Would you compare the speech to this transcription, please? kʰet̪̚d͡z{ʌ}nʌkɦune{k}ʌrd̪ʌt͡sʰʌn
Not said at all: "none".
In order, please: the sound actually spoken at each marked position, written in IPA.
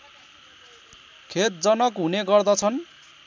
ʌ, ɡ

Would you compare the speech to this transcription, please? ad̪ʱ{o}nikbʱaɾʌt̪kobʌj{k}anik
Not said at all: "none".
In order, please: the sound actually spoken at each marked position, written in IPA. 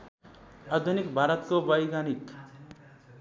u, ɡ

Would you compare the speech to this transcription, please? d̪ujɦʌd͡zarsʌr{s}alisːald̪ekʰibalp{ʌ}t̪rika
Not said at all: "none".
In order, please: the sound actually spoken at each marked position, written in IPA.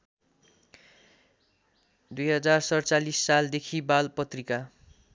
t͡s, ʌ

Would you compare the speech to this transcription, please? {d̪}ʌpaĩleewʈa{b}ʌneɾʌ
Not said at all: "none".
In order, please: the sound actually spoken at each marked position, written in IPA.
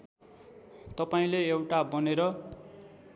t̪, b

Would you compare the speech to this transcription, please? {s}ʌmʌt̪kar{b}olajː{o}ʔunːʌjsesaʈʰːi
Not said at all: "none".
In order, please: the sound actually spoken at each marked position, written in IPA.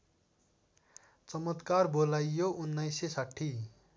t͡s, b, o

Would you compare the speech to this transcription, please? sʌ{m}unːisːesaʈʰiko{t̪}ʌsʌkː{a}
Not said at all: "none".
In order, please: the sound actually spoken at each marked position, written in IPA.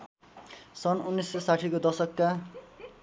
n, d̪, a

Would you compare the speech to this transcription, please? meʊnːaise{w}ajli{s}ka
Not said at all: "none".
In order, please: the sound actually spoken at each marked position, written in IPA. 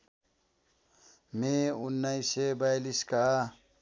b, s

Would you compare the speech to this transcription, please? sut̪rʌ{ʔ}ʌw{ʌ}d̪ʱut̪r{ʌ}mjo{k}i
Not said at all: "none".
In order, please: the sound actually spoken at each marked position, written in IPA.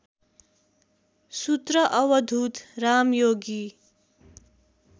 ʔ, ʌ, a, ɡ

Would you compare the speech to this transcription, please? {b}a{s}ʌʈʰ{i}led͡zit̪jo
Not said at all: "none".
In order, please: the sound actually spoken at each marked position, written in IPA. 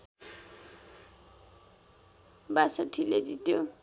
b, s, i

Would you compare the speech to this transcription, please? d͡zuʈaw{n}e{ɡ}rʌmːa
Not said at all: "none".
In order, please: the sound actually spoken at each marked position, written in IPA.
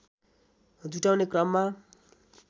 n, k

